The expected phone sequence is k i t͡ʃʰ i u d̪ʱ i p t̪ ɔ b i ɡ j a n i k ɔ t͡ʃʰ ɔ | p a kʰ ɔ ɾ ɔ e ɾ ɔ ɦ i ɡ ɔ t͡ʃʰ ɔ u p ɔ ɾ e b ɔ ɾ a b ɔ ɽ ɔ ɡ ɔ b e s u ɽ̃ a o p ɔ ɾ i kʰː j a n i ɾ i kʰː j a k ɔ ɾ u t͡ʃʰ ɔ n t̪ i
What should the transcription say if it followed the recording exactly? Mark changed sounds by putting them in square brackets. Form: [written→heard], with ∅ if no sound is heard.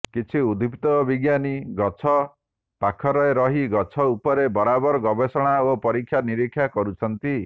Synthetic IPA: k i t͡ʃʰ i u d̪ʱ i p t̪ ɔ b i ɡ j a n i [k→ɡ] ɔ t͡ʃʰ ɔ | p a kʰ ɔ ɾ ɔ e ɾ ɔ ɦ i ɡ ɔ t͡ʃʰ ɔ u p ɔ ɾ e b ɔ ɾ a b ɔ [ɽ→ɾ] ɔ ɡ ɔ b e s [u→ɔ] ɽ̃ a o p ɔ ɾ i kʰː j a n i ɾ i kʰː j a k ɔ ɾ u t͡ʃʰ ɔ n t̪ i